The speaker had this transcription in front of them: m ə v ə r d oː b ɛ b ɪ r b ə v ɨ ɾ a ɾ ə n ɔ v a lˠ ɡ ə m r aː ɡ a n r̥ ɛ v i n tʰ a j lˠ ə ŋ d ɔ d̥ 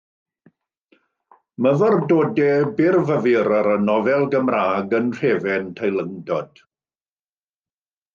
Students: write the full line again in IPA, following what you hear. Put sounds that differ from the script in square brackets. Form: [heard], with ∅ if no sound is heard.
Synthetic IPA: m ə v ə r d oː [d] ɛ b ɪ r [v] ə v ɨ ɾ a ɾ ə n ɔ v [ɛ] lˠ ɡ ə m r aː ɡ [ə] n r̥ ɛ v [ɛ] n tʰ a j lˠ ə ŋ d ɔ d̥